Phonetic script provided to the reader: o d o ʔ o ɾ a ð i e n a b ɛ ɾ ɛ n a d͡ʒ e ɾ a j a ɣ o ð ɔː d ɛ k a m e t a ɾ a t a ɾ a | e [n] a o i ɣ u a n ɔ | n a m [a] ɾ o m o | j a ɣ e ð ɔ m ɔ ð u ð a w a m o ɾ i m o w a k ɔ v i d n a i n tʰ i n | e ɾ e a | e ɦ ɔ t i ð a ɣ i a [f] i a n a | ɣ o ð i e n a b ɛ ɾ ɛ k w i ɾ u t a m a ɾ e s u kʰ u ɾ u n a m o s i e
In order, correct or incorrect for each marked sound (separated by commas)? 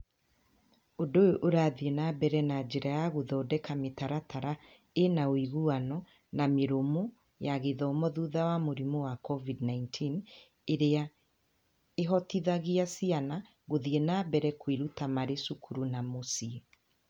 correct, incorrect, incorrect